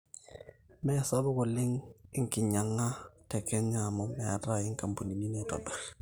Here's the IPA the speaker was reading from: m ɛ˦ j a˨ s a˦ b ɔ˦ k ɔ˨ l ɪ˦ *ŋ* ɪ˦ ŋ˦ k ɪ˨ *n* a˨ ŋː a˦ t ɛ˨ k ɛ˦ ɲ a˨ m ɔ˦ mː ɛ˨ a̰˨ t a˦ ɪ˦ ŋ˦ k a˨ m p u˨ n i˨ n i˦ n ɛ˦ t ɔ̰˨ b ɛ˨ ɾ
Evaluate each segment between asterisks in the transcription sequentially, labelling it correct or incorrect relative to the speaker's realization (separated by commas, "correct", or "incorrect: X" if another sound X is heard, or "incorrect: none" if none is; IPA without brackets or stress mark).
correct, incorrect: ɲ